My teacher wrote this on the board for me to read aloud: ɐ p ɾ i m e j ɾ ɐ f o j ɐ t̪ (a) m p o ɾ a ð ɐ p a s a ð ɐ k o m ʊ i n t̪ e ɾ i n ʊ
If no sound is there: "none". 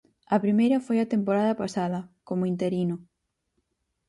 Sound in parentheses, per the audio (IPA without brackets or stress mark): e